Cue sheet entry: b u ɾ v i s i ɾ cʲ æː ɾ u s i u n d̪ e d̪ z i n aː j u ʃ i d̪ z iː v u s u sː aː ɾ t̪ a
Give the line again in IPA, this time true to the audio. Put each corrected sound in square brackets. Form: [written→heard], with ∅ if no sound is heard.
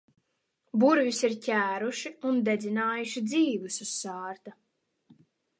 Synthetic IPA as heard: b u ɾ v i s i ɾ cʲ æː ɾ u [s→ʃ] i u n d̪ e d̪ z i n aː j u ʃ i d̪ z iː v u s u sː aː ɾ t̪ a